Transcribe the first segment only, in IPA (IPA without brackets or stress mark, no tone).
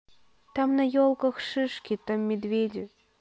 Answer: t̪